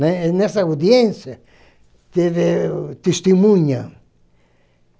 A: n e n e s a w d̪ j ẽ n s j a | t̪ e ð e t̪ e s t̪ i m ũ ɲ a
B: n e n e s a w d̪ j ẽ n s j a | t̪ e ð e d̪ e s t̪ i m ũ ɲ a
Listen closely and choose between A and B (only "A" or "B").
A